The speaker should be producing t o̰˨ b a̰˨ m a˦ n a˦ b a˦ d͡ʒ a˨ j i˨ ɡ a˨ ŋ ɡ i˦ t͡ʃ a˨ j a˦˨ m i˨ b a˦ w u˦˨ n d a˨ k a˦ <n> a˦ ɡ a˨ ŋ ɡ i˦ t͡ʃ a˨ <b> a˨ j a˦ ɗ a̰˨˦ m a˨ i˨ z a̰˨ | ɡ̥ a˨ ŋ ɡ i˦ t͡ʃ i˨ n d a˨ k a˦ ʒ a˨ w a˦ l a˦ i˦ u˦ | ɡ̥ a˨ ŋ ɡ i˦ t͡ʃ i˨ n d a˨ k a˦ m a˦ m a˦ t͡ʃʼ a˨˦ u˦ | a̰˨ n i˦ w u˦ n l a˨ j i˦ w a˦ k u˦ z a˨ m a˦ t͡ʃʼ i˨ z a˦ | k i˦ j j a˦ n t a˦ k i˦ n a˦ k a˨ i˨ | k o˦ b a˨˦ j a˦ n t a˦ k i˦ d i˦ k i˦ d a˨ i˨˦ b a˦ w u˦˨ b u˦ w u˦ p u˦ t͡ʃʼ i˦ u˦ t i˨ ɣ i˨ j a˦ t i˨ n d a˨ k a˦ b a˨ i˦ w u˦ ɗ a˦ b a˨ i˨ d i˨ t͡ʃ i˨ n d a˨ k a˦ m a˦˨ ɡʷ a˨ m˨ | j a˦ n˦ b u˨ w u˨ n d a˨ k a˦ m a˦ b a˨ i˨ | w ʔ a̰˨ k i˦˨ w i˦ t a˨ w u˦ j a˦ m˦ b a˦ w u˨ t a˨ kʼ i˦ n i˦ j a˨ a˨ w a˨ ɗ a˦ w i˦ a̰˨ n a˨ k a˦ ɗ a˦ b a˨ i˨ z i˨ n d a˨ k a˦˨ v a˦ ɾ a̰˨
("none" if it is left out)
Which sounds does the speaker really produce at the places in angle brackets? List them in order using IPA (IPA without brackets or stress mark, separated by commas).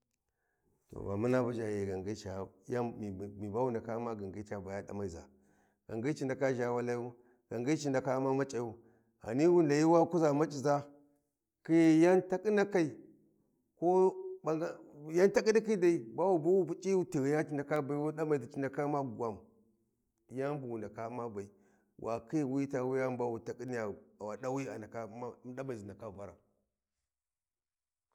m, b